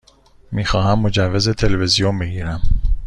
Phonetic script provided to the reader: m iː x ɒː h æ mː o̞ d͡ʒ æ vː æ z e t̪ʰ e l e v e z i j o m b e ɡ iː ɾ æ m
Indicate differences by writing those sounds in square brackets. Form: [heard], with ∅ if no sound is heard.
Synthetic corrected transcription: m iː x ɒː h æ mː o̞ d͡ʒ æ vː [e] z e t̪ʰ e l e v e z i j o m b e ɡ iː ɾ æ m